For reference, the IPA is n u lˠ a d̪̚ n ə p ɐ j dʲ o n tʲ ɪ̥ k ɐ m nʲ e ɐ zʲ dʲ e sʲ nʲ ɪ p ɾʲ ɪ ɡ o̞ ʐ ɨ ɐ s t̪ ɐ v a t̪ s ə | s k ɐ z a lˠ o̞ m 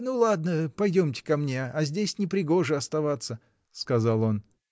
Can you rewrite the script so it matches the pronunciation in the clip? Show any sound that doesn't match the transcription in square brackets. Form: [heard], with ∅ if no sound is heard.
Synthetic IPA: n u lˠ a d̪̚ n ə p ɐ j dʲ o [m] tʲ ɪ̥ k ɐ m nʲ e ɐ zʲ dʲ e sʲ nʲ ɪ p ɾʲ ɪ ɡ o̞ ʐ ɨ ɐ s t̪ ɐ v a t̪ s ə | s k ɐ z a lˠ o̞ [n]